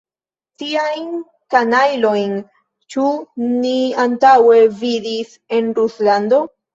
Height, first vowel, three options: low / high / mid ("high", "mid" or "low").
high